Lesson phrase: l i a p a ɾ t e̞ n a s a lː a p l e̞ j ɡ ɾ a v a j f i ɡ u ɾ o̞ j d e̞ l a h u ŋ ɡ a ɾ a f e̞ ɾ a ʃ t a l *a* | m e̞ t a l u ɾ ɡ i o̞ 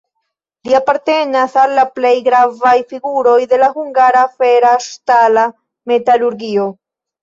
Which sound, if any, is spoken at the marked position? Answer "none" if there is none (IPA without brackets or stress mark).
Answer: a